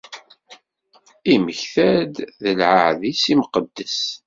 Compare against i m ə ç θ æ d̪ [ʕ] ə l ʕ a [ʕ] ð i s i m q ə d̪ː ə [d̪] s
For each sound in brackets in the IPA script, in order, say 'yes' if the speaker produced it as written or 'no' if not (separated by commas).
no, yes, no